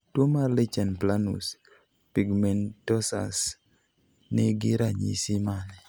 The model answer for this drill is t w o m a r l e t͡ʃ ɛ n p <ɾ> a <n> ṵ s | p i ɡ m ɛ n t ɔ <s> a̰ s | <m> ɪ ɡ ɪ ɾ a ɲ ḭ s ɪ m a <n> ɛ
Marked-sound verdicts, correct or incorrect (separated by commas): incorrect, correct, correct, incorrect, correct